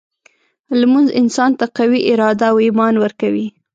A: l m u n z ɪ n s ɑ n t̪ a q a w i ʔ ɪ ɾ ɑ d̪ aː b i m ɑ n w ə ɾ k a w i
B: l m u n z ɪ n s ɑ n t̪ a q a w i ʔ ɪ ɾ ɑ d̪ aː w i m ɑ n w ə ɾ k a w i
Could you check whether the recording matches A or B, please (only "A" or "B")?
B